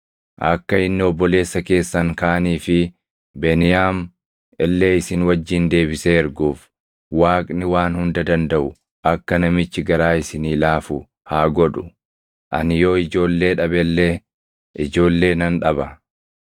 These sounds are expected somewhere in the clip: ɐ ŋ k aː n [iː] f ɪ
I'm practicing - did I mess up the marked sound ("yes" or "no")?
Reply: no